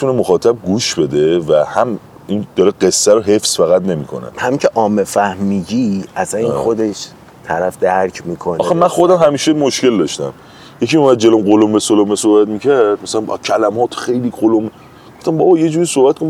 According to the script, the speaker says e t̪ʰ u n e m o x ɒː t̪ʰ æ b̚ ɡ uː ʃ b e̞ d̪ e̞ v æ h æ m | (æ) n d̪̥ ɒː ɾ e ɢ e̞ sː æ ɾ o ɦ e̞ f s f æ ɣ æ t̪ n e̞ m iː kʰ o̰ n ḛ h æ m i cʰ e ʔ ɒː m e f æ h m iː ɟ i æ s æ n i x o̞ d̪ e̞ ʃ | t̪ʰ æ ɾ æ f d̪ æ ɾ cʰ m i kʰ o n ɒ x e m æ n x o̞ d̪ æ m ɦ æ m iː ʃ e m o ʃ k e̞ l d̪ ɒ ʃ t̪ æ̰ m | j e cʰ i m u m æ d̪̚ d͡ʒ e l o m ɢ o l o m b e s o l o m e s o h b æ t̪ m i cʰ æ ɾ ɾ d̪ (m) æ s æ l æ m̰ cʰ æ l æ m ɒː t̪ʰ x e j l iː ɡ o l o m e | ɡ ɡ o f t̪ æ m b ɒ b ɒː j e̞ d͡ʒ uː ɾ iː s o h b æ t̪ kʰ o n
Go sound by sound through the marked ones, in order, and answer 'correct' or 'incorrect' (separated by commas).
incorrect, correct